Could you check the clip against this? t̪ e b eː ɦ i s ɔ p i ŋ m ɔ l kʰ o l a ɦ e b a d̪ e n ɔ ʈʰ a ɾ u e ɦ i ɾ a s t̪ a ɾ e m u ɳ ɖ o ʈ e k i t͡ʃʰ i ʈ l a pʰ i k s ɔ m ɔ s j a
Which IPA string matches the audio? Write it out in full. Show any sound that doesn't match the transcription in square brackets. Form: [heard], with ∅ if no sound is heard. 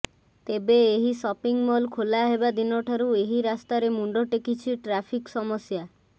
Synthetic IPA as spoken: t̪ e b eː ɦ i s ɔ p i ŋ m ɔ l kʰ o l a ɦ e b a d̪ [i] n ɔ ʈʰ a ɾ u e ɦ i ɾ a s t̪ a ɾ e m u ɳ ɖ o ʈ e k i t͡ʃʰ i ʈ [ɾ] a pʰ i k s ɔ m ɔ s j a

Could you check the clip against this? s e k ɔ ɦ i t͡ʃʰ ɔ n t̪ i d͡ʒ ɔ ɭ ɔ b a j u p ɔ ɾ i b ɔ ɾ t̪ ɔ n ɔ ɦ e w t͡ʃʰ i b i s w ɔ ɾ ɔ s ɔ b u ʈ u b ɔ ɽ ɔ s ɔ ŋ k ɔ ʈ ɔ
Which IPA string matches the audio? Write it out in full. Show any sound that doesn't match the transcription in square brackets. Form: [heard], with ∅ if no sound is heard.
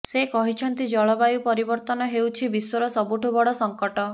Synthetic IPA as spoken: s e k ɔ ɦ i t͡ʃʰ ɔ n t̪ i d͡ʒ ɔ ɭ ɔ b a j u p ɔ ɾ i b ɔ ɾ t̪ ɔ n ɔ ɦ e w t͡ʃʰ i b i s w ɔ ɾ ɔ s ɔ b u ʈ u b ɔ ɽ ɔ s ɔ ŋ k ɔ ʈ ɔ

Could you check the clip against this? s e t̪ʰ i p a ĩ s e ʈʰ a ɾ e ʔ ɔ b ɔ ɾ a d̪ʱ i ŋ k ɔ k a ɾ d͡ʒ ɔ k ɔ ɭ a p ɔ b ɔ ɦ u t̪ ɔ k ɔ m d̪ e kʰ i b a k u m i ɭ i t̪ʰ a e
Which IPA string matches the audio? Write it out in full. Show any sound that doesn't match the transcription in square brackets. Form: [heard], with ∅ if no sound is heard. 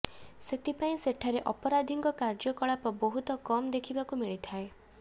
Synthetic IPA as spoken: s e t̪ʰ i p a ĩ s e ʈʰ a ɾ e ʔ ɔ [p] ɔ ɾ a d̪ʱ i ŋ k ɔ k a ɾ d͡ʒ ɔ k ɔ ɭ a p ɔ b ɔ ɦ u t̪ ɔ k ɔ m d̪ e kʰ i b a k u m i ɭ i t̪ʰ a e

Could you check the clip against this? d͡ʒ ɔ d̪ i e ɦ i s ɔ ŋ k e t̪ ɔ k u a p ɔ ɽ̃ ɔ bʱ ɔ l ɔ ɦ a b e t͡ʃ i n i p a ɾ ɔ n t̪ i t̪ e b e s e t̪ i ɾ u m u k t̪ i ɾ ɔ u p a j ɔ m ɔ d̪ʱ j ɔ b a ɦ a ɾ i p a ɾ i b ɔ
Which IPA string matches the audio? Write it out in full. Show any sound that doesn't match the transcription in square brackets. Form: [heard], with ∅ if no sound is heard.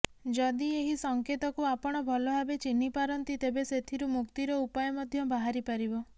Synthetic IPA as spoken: d͡ʒ ɔ d̪ i e ɦ i s ɔ ŋ k e t̪ ɔ k u a p ɔ ɽ̃ ɔ bʱ ɔ l ɔ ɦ a b e t͡ʃ i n i p a ɾ ɔ n t̪ i t̪ e b e s e [t̪ʰ] i ɾ u m u k t̪ i ɾ ɔ u p a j ɔ m ɔ d̪ʱ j ɔ b a ɦ a ɾ i p a ɾ i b ɔ

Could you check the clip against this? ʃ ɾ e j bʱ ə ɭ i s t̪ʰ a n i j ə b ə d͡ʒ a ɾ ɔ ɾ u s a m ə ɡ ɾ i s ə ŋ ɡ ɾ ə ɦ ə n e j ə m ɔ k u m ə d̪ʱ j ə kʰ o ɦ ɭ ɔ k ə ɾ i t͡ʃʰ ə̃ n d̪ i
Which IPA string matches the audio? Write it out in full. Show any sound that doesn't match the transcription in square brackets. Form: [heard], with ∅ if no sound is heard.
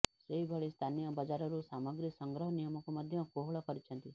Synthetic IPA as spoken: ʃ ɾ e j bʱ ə ɭ i s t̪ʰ a n i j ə b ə d͡ʒ a ɾ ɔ ɾ u s a m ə ɡ ɾ i s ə ŋ ɡ ɾ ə ɦ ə n [i] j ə m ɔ k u m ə d̪ʱ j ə [k] o ɦ ɭ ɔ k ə ɾ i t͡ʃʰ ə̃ n [t̪] i

